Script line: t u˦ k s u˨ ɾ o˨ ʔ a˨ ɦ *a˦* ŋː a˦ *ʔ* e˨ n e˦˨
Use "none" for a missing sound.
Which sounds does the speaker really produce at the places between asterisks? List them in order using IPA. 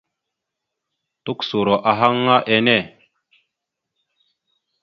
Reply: a˦, ʔ

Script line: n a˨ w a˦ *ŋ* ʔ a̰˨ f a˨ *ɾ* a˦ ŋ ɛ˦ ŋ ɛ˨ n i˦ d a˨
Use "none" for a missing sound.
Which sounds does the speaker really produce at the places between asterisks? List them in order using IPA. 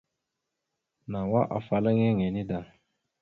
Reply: none, l

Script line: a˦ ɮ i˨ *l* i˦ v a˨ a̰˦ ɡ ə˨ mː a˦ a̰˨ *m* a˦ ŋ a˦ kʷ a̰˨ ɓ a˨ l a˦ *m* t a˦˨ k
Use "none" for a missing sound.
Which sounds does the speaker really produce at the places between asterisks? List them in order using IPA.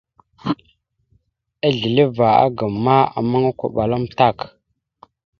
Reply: l, m, m

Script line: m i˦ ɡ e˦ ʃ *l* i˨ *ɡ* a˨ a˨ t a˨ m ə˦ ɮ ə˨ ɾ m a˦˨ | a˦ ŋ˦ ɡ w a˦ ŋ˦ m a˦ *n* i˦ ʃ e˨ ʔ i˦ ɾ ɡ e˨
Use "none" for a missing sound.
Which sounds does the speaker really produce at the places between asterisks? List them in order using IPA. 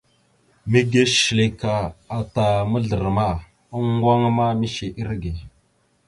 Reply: l, k, m

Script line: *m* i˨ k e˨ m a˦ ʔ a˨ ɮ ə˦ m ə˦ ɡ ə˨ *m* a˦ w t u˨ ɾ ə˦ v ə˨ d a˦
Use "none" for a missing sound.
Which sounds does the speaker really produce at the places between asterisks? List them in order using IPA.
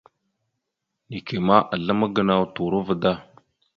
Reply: n, n

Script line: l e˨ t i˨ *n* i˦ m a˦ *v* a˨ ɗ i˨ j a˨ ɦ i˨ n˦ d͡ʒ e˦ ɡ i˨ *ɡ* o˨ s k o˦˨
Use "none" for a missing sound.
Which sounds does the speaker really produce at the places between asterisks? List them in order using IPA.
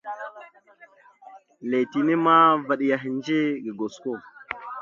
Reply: n, v, ɡ

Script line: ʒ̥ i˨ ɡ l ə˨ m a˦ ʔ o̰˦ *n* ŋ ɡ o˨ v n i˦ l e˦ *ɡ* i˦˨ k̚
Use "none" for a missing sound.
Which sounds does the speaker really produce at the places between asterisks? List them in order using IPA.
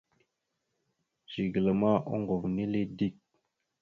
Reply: none, d

